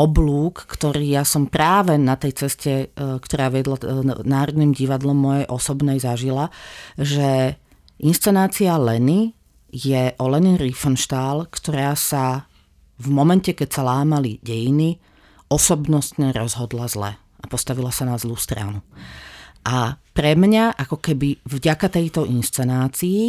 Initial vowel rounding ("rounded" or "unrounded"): rounded